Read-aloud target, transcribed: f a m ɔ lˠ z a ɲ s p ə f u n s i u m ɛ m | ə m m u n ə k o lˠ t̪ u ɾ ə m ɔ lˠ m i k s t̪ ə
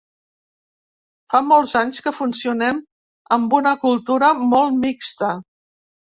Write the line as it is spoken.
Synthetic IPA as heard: f a m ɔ lˠ z a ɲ s k ə f u n s i u n ɛ m | ə m b u n ə k u lˠ t̪ u ɾ ə m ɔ lˠ m i k s t̪ ə

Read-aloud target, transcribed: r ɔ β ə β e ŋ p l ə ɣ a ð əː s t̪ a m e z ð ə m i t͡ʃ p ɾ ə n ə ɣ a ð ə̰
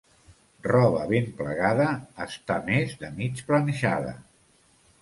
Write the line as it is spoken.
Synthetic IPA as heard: r ɔ β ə β e m p l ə ɣ a ð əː s t̪ a m e z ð ə m i t͡ʃ p l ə n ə ʒ a ð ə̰

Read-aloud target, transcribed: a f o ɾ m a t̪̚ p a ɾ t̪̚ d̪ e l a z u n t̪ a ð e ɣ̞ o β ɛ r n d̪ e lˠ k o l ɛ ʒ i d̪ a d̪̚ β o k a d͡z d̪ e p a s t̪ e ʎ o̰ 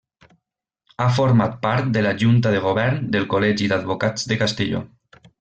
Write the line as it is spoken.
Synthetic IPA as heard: a f o ɾ m a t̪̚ p a ɾ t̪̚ d̪ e l a ʒ u n t̪ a ð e ɣ̞ o β ɛ ɾ n d̪ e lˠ k o l ɛ ʒ i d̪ a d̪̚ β o k a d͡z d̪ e k a s t̪ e ʎ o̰

